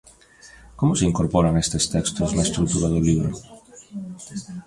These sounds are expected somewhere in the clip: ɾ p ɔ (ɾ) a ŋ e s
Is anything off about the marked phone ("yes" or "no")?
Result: no